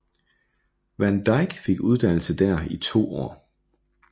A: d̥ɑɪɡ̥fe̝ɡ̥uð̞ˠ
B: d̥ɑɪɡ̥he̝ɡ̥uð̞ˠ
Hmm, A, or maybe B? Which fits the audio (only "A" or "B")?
A